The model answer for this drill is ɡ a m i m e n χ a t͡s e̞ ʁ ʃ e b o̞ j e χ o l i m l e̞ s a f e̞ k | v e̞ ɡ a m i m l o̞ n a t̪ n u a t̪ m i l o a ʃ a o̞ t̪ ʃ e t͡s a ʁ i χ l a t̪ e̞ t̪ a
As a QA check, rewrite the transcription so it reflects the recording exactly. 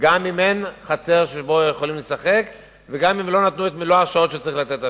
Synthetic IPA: ɡ a m i m e n χ a t͡s e̞ ʁ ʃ e b o̞ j e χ o l i m l e̞ s a χ e̞ k | v e̞ ɡ a m i m l o̞ n a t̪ n u e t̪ m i l o a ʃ a o̞ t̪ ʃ e t͡s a ʁ i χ l a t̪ e̞ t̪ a